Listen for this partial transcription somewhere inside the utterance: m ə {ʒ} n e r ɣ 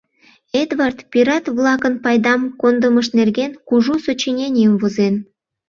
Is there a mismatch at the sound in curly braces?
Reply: yes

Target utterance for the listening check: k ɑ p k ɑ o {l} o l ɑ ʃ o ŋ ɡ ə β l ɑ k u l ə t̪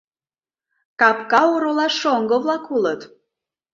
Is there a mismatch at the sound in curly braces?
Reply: yes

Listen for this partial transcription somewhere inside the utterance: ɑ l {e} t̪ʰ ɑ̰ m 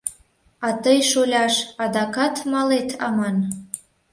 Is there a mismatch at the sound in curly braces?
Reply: no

